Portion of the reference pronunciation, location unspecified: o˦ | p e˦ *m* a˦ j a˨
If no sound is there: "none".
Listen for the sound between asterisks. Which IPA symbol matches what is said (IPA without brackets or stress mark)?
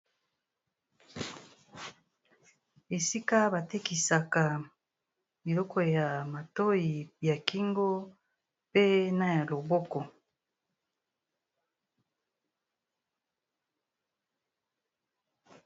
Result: n